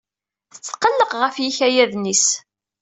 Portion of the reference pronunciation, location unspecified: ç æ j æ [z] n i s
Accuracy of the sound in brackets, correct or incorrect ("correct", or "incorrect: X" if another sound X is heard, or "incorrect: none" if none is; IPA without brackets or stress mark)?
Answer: incorrect: ð